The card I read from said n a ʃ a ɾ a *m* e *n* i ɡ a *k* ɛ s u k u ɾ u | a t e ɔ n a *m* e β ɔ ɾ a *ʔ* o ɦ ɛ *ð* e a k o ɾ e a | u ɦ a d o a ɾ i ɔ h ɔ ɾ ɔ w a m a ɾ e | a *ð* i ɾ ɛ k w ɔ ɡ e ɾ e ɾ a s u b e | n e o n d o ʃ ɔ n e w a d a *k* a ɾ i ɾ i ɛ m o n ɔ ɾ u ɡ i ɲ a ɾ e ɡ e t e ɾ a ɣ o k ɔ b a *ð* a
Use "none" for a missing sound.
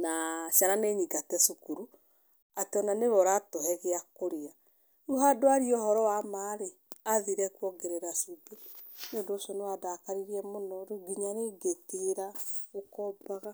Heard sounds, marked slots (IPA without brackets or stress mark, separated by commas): n, ɲ, t, n, t, ɣ, ð, k, ɣ